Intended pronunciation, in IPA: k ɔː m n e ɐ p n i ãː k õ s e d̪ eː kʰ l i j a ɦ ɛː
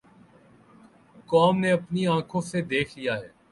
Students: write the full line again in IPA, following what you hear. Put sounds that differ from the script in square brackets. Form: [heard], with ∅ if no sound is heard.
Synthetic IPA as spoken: k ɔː m n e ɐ p n i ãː [kʰ] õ s e d̪ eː kʰ l i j a ɦ ɛː